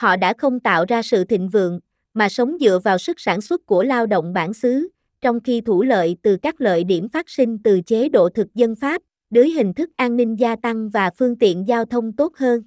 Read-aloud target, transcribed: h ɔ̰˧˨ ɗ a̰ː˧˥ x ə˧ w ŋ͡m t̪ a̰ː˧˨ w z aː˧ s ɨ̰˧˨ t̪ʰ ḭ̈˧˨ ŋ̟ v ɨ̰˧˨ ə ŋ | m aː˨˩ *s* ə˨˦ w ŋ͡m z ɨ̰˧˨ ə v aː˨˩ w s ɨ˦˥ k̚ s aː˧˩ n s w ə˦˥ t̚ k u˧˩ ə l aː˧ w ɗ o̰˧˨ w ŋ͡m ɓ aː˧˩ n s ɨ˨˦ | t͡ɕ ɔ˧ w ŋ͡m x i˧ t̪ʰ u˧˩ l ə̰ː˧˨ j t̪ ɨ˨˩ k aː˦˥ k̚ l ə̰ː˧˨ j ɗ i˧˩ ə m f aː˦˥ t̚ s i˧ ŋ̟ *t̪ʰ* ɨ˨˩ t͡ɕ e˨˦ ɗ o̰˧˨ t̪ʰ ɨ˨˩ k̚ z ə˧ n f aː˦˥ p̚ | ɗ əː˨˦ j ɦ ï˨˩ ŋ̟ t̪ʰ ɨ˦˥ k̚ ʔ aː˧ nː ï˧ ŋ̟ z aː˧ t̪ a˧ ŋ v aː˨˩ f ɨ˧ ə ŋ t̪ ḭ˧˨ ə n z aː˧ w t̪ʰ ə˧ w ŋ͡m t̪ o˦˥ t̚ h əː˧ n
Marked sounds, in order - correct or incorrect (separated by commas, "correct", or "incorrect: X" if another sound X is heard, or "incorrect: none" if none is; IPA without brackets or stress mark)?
correct, incorrect: t̪